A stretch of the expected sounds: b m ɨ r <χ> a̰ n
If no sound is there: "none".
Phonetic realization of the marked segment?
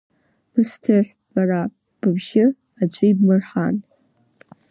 ħ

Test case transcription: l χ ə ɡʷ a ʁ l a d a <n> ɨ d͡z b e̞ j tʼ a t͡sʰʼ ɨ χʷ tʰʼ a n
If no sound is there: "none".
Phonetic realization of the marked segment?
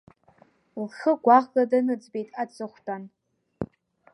n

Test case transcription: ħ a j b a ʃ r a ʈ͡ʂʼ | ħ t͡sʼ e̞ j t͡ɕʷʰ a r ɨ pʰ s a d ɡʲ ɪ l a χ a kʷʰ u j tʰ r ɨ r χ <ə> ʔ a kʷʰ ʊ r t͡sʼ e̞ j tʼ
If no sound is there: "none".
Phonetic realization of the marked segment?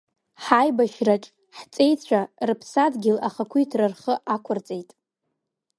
ə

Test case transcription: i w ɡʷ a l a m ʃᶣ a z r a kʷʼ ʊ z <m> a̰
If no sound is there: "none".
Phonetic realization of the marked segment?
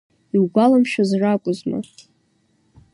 m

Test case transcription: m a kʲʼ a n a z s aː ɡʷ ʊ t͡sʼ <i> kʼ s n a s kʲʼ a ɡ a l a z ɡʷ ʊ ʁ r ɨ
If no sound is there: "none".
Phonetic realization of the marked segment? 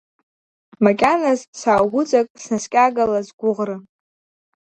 a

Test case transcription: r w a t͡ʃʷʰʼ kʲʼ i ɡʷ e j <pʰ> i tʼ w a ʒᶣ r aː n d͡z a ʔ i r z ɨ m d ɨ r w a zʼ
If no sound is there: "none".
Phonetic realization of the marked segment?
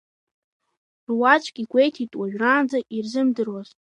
tʰ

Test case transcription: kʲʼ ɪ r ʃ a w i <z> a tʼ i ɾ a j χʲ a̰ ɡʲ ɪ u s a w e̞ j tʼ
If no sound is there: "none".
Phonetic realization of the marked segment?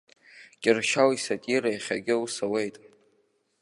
s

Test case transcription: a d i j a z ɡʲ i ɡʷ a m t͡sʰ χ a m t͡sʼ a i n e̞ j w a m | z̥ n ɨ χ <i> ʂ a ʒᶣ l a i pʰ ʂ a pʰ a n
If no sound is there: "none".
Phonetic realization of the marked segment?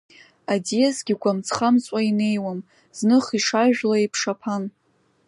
i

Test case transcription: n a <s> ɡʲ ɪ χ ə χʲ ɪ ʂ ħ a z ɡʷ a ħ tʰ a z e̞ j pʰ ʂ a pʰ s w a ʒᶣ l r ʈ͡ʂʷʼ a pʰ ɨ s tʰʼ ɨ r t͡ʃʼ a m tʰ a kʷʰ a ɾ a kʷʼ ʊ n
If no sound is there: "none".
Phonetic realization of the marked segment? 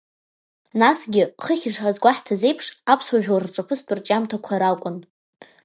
s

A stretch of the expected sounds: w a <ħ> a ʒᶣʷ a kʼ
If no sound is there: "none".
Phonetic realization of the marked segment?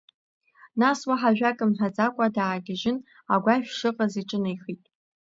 ħ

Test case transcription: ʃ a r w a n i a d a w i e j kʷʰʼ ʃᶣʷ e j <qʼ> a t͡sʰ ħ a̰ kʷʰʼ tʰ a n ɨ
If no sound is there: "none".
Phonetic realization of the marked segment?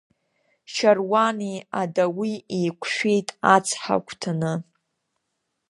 tʼ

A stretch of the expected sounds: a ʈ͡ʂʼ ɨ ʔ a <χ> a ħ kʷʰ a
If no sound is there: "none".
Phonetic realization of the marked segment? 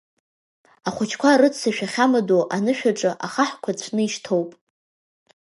χ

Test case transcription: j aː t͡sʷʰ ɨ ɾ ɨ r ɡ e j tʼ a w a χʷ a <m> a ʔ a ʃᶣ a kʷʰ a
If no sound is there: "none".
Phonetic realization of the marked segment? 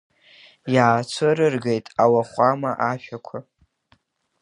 m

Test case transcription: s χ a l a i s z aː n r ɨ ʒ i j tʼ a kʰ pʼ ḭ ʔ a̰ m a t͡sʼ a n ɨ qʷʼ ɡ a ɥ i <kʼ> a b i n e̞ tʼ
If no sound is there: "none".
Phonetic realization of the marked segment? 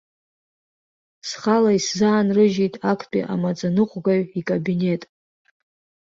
kʼ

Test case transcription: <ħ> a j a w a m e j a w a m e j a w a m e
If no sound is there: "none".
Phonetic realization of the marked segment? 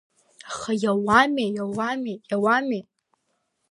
χ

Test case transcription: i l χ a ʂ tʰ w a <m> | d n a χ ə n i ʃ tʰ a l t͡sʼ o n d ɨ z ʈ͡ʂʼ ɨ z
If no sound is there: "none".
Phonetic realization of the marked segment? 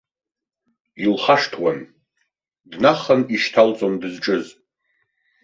n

